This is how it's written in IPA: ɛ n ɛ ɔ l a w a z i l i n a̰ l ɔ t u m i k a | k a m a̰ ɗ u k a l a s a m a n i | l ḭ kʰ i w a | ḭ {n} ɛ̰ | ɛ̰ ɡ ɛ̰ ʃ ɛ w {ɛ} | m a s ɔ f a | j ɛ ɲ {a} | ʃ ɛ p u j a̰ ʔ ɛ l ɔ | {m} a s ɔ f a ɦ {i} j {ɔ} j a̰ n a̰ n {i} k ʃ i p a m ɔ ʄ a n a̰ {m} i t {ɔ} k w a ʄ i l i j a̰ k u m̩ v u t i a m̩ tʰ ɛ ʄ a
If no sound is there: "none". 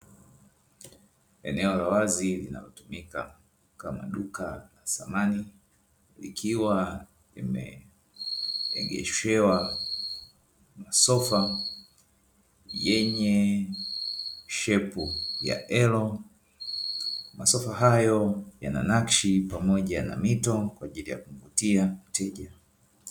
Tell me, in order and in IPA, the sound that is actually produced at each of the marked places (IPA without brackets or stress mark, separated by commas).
m, a, ɛ, m, a, ɔ, a, m, ɔ